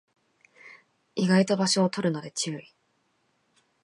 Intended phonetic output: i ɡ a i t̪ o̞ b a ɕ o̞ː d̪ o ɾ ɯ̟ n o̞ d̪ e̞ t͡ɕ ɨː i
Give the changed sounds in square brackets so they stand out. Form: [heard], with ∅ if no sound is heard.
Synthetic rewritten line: i ɡ a i t̪ o̞ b a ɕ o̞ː [t̪] o ɾ ɯ̟ n o̞ d̪ e̞ t͡ɕ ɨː i

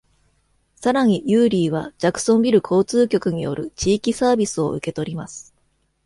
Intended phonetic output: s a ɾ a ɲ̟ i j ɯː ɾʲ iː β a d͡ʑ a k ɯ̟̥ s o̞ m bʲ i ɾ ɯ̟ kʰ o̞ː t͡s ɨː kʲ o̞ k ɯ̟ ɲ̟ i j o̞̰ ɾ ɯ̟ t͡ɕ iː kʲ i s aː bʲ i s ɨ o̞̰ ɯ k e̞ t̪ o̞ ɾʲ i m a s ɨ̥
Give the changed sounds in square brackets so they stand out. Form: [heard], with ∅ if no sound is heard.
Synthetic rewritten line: s a ɾ a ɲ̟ i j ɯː ɾʲ iː β a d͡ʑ a k ɯ̟̥ s [õ̞] m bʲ i ɾ ɯ̟ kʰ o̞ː t͡s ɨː kʲ o̞ k ɯ̟ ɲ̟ i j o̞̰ ɾ ɯ̟ t͡ɕ iː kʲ i s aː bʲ i s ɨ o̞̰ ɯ k e̞ t̪ o̞ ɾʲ i m a s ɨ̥

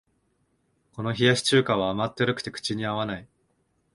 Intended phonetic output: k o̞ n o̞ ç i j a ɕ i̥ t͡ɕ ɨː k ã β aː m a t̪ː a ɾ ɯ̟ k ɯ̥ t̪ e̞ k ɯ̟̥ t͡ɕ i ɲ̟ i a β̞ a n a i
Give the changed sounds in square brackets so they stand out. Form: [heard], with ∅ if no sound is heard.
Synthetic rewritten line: k o̞ n o̞ ç i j a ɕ i̥ t͡ɕ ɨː k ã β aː m a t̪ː [e] ɾ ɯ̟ k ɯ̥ t̪ e̞ k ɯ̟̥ t͡ɕ i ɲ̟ i a β̞ a n a i

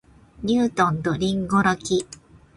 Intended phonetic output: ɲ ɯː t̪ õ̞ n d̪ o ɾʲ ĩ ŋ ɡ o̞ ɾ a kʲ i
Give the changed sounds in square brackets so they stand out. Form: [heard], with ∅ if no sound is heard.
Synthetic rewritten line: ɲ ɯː t̪ õ̞ n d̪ o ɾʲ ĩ ŋ ɡ o̞ ɾ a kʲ i

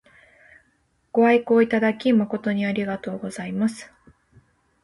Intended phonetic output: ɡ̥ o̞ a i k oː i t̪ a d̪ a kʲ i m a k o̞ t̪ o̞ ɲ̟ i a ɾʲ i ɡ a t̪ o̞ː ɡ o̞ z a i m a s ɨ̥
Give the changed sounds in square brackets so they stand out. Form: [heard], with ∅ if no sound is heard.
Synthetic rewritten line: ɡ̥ o̞ a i k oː i t̪ a d̪ a kʲ i m a k o̞ t̪ o̞ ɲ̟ i a ɾʲ i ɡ a t̪ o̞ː ɡ o̞ z a i m a s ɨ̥

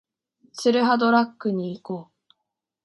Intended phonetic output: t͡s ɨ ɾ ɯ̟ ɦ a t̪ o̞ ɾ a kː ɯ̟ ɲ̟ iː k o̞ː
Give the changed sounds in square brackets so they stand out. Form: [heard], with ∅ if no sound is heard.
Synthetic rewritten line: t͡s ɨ ɾ ɯ̟ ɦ a [d̪] o̞ ɾ a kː ɯ̟ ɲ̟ iː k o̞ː

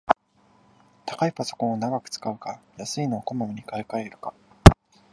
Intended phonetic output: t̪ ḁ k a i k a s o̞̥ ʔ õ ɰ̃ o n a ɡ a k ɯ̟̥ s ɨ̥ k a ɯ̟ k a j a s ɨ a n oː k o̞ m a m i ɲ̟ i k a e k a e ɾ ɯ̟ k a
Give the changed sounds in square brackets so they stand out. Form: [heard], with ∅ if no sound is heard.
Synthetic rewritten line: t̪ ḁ k a i [p] a s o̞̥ [k] õ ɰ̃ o n a ɡ a k ɯ̟̥ [t͡s] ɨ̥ k a ɯ̟ k a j a s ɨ [i] n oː k o̞ m a m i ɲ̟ i k a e k a e ɾ ɯ̟ k a

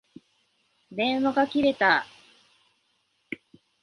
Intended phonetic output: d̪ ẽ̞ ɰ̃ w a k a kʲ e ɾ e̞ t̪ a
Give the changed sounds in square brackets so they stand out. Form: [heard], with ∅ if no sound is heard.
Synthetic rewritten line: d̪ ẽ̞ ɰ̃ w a [ɡ] a kʲ [i] ɾ e̞ t̪ a

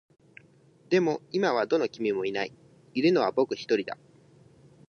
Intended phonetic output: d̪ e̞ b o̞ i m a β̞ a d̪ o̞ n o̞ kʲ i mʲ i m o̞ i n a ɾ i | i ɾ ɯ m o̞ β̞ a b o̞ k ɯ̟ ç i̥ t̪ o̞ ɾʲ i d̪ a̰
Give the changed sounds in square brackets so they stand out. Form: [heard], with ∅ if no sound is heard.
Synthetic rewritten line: d̪ e̞ [m] o̞ i m a β̞ a d̪ o̞ n o̞ kʲ i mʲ i m o̞ i n a [∅] i | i ɾ ɯ [n] o̞ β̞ a b o̞ k ɯ̟ ç i̥ t̪ o̞ ɾʲ i d̪ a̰

